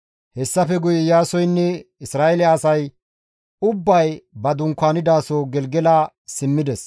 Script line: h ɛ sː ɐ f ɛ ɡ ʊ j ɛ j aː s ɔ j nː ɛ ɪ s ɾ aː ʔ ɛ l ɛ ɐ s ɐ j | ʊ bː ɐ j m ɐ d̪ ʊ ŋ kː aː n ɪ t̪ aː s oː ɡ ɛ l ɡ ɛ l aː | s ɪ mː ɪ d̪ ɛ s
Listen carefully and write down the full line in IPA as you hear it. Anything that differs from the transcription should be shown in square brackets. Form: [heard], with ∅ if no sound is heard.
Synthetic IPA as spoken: h ɛ sː ɐ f ɛ ɡ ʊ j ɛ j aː s ɔ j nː ɛ ɪ s ɾ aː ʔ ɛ l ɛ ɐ s ɐ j | ʊ bː ɐ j [b] ɐ d̪ ʊ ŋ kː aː n ɪ [d̪] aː s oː ɡ ɛ l ɡ ɛ l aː | s ɪ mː ɪ d̪ ɛ s